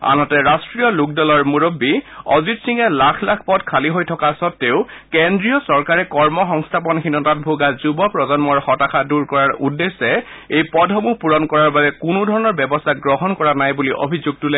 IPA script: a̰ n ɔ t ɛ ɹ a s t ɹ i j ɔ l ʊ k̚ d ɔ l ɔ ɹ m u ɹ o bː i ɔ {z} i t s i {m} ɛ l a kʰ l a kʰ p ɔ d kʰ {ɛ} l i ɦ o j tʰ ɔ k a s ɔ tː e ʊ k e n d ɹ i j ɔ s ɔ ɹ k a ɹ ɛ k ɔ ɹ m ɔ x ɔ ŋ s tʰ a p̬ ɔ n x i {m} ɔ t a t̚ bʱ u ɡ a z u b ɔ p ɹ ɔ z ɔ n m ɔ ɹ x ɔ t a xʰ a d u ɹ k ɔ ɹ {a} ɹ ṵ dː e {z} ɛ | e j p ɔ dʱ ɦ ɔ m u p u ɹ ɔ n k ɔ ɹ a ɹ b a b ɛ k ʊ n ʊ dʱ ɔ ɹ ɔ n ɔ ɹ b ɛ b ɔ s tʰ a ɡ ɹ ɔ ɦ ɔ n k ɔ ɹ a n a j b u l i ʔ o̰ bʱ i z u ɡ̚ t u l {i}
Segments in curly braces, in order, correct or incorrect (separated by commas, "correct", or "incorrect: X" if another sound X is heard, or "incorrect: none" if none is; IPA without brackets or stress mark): correct, incorrect: ŋ, incorrect: a, incorrect: n, correct, incorrect: s, incorrect: ɛ